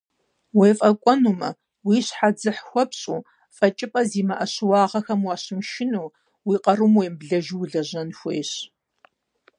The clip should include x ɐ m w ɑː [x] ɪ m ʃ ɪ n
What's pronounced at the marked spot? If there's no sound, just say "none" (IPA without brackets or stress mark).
ɕ